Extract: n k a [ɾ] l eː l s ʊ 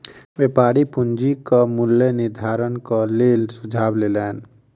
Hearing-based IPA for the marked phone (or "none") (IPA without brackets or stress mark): none